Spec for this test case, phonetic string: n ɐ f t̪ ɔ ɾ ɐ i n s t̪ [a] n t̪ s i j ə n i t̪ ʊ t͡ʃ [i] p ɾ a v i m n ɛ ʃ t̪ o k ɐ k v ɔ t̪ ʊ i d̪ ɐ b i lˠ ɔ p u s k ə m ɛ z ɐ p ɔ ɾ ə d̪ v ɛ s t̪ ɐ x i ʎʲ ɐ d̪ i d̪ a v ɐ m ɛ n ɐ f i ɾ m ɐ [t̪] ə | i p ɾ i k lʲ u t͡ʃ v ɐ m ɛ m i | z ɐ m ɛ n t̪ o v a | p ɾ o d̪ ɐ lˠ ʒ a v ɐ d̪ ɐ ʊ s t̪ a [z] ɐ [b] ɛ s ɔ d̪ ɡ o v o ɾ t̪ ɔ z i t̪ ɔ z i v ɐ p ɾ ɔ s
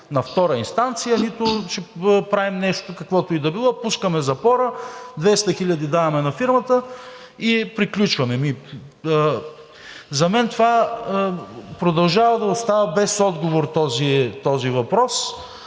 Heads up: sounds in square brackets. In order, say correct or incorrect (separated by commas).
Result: correct, incorrect, correct, incorrect, correct